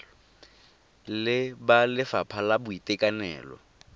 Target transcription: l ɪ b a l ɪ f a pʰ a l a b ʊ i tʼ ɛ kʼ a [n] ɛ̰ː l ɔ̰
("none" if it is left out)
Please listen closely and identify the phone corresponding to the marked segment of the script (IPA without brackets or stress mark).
n